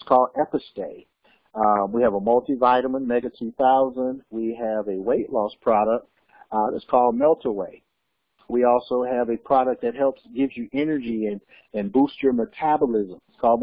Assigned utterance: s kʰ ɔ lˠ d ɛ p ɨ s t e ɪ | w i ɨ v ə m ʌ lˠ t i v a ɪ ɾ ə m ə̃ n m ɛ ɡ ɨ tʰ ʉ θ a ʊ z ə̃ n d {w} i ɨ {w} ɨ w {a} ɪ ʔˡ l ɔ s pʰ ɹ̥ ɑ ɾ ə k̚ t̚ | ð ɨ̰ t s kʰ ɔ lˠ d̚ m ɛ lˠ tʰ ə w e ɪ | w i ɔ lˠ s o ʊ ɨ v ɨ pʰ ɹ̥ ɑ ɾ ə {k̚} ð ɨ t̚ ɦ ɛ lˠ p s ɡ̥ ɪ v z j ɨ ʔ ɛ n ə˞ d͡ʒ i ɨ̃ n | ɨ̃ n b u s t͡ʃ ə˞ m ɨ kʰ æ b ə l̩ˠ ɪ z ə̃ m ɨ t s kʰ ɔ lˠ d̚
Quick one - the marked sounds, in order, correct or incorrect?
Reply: correct, incorrect, incorrect, correct

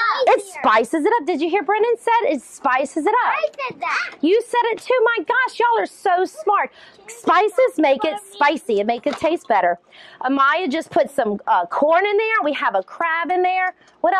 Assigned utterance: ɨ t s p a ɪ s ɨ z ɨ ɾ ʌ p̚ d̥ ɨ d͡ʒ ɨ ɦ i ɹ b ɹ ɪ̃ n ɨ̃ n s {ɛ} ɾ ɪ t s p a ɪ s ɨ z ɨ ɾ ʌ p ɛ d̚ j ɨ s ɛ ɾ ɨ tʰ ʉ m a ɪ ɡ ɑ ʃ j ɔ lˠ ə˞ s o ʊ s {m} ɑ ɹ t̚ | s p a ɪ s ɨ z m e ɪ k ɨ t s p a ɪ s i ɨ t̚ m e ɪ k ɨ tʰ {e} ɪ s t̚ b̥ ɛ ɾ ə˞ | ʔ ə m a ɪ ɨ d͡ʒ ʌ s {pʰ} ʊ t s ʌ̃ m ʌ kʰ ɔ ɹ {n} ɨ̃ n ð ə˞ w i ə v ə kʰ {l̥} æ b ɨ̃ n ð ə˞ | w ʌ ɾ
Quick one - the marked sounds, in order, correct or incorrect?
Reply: correct, correct, correct, correct, correct, incorrect

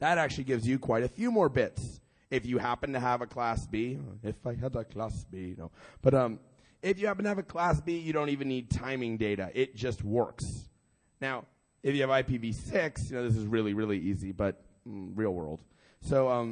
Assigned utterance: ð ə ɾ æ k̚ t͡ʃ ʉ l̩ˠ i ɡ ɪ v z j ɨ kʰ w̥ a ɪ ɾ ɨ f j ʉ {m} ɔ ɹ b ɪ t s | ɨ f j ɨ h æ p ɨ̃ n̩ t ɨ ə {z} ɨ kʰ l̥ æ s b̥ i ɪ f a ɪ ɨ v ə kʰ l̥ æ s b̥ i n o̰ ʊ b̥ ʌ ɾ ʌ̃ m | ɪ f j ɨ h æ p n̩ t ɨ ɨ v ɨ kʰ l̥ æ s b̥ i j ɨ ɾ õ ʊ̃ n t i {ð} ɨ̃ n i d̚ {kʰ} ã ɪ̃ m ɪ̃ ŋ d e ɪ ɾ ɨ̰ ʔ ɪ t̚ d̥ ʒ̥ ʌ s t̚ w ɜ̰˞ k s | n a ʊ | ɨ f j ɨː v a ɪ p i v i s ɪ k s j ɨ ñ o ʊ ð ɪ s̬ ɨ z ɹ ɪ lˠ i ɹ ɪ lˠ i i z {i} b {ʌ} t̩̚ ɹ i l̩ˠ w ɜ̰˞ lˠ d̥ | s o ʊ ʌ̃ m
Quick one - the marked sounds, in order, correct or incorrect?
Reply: correct, incorrect, incorrect, incorrect, correct, correct

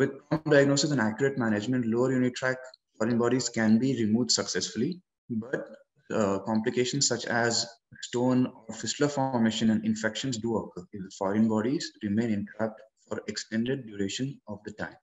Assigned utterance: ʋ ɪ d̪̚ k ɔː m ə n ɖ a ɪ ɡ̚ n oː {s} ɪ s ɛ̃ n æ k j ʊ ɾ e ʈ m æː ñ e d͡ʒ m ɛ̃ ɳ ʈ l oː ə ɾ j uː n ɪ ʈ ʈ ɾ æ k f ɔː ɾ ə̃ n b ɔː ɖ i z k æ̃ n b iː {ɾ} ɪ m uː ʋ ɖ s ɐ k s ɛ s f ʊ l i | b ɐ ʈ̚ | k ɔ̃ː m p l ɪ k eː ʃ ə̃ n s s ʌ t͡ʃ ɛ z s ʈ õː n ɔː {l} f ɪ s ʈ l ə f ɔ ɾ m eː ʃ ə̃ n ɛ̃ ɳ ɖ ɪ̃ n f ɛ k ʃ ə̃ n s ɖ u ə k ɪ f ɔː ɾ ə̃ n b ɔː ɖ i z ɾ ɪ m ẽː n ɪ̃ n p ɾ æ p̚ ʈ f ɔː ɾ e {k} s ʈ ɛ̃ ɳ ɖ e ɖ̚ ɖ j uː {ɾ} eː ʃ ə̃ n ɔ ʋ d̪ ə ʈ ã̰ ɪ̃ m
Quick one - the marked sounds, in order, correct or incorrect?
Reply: correct, correct, incorrect, correct, correct

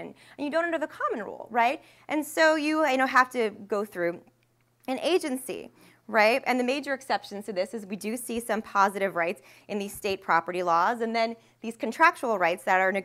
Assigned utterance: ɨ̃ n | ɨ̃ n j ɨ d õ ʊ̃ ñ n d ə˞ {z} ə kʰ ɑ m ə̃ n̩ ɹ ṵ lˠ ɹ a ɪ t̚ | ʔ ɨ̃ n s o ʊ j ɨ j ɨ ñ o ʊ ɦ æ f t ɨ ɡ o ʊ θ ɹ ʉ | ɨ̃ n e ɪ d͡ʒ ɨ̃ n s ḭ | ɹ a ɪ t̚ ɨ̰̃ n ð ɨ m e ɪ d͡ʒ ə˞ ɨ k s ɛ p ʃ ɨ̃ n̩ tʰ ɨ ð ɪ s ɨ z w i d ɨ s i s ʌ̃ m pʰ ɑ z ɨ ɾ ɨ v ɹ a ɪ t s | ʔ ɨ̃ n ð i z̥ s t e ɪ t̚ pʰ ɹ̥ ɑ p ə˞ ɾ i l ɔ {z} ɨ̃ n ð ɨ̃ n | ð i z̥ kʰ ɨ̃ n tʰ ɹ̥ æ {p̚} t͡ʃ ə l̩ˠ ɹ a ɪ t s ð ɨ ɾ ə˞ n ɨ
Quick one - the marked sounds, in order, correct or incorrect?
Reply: incorrect, correct, incorrect

